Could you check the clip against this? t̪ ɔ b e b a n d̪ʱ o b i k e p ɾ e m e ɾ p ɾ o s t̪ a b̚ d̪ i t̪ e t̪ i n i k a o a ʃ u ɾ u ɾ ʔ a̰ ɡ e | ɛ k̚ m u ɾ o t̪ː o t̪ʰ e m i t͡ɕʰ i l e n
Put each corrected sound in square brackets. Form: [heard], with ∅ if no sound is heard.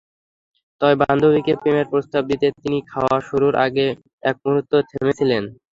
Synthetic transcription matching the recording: t̪ ɔ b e b a n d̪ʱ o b i k e p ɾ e m e ɾ p ɾ o s t̪ a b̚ d̪ i t̪ e t̪ i n i [kʰ] a o a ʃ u ɾ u ɾ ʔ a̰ ɡ e | ɛ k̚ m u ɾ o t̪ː o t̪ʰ e m [e] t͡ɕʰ i l e n